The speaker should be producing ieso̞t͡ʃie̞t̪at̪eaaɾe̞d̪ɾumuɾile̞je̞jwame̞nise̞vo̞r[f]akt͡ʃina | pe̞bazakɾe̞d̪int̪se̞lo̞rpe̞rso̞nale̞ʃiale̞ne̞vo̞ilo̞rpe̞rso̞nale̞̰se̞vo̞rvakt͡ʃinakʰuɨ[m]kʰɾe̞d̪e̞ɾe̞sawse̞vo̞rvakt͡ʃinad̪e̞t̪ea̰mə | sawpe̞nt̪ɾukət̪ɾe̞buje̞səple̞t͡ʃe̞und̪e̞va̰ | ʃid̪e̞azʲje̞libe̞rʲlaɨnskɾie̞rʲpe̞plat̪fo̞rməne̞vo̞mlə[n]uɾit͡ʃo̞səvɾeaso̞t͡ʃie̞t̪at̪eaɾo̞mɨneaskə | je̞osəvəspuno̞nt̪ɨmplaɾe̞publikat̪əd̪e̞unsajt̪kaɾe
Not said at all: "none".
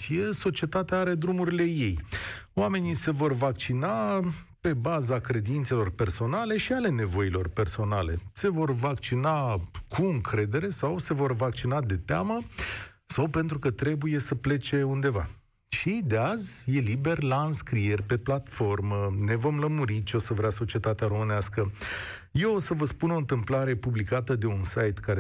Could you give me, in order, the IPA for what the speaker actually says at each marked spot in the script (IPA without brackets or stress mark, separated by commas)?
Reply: v, ŋ, m